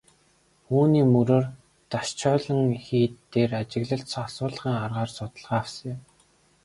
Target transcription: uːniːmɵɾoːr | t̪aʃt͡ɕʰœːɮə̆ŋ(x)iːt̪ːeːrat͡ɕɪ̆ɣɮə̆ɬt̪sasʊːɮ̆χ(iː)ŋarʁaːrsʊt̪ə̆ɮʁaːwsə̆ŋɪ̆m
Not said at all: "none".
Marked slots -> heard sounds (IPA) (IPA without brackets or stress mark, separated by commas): x, iː